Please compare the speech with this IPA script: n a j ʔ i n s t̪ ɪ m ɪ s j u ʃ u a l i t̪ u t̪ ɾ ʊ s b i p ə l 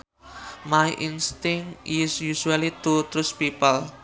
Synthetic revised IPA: m a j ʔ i n s t̪ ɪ ŋ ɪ s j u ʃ u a l i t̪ u t̪ ɾ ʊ s p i p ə l